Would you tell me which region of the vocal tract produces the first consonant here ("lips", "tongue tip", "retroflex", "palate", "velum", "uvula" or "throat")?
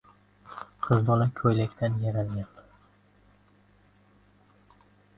uvula